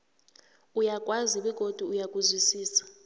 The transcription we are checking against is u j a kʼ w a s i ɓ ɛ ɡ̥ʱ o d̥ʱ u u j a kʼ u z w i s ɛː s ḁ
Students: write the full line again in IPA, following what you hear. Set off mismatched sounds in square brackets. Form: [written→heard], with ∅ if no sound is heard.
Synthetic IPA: u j a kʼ w a [s→z] i ɓ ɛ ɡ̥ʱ o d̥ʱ u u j a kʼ u z w i s [ɛː→iː] s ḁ